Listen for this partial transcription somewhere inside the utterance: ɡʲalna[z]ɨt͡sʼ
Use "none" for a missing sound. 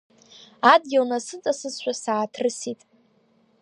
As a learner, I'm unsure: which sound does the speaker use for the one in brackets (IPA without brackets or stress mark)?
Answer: s